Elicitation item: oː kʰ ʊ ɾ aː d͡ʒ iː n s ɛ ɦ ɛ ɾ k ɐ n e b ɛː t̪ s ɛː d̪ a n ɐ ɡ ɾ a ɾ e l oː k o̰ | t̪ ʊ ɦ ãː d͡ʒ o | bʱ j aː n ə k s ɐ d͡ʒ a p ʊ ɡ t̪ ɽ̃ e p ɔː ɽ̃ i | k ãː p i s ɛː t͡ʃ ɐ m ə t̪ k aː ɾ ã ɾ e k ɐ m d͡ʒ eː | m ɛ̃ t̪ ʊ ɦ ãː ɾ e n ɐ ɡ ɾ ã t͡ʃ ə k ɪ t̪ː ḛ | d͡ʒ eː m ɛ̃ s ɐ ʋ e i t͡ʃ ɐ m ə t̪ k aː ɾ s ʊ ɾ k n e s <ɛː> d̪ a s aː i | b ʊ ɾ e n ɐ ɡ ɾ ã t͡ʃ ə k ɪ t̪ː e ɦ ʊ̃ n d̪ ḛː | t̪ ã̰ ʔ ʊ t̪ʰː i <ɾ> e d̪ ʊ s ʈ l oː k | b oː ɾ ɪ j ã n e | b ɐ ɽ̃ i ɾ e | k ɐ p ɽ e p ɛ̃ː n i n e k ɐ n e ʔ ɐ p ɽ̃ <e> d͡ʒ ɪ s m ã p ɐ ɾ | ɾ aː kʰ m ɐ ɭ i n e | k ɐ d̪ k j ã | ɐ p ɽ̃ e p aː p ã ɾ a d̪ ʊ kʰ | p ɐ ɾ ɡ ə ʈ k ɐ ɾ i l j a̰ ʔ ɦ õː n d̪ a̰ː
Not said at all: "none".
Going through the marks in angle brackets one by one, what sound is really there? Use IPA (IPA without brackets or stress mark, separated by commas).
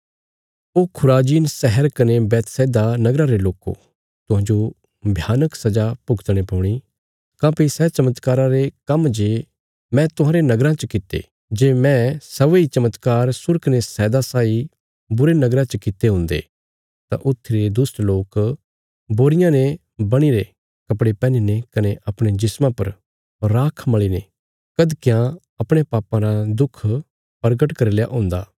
ɛː, ɾ, e